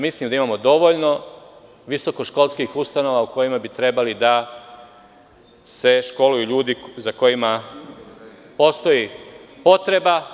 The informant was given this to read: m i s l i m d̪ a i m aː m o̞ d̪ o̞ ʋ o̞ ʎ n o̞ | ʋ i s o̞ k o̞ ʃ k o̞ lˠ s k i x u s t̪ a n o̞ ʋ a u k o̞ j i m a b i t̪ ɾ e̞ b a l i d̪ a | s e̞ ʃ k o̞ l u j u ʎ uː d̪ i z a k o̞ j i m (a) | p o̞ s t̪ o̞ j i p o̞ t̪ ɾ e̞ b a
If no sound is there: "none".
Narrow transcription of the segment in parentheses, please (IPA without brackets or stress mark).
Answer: a